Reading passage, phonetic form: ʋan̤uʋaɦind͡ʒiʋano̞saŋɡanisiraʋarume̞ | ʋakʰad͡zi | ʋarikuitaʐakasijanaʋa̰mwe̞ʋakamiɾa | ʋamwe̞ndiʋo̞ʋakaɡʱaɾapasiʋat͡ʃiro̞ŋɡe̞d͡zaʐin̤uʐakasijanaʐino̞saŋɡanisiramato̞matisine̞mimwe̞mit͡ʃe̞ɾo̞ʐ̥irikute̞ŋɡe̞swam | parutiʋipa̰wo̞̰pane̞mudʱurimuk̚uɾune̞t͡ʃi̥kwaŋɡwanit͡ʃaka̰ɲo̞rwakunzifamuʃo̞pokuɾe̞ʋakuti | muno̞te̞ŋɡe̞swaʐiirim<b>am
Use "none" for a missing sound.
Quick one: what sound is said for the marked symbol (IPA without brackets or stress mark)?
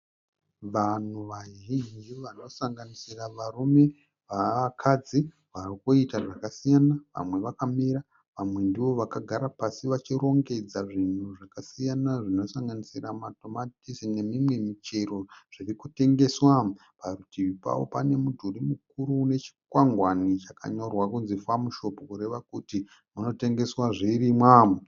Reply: w